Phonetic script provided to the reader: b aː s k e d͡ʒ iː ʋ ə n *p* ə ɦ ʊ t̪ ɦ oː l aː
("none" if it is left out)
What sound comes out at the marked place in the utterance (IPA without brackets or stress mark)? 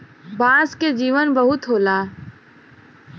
b